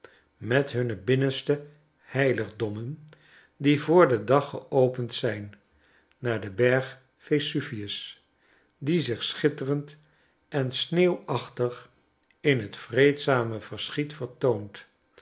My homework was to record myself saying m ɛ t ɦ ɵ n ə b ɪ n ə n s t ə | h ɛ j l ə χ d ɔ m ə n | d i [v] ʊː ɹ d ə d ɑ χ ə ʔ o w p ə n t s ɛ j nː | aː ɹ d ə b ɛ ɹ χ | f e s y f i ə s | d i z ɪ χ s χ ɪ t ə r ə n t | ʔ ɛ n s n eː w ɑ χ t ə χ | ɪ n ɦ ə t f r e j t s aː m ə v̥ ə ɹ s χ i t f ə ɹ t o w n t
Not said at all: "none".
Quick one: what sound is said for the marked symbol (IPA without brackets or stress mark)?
v